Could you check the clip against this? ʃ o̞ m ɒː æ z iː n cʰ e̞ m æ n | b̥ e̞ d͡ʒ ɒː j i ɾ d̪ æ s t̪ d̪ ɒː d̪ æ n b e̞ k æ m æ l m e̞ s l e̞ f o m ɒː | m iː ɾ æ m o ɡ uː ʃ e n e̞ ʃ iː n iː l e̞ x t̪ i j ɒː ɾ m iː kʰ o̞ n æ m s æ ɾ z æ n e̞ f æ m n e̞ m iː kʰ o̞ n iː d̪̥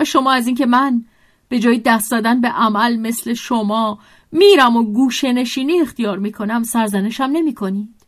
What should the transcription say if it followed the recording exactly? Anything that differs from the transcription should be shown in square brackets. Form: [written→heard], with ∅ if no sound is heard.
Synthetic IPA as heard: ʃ o̞ m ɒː æ z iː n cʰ e̞ m æ n | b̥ e̞ d͡ʒ ɒː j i [ɾ→∅] d̪ æ s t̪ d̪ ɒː d̪ æ n b e̞ [k→ʔ] æ m æ l m e̞ s l e̞ [f→ʃ] o m ɒː | m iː ɾ æ m o ɡ uː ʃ e n e̞ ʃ iː n iː [l→∅] e̞ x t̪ i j ɒː ɾ m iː kʰ o̞ n æ m s æ ɾ z æ n e̞ [f→ʃ] æ m n e̞ m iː kʰ o̞ n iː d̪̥